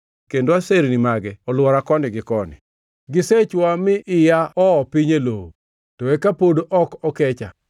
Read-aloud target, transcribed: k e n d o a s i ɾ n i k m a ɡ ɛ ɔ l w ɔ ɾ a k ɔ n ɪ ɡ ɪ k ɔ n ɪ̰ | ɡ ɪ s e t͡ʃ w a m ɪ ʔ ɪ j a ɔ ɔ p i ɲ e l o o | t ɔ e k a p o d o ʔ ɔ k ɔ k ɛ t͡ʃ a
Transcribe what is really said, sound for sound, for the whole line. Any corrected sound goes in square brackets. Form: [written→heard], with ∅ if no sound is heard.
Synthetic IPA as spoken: k e n d o a s [i→e] ɾ n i [k→∅] m a ɡ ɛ ɔ l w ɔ ɾ a k ɔ n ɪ ɡ ɪ k ɔ n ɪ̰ | ɡ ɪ s e t͡ʃ w a m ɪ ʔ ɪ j a ɔ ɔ p i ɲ e l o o | t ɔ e k a p o d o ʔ ɔ k ɔ k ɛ t͡ʃ a